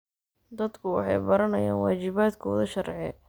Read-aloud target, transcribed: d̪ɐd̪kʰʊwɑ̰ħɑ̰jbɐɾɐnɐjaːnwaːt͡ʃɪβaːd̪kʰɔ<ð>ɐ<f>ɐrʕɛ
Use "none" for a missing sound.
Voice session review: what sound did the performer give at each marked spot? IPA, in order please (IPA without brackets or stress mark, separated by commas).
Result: ð, ʃ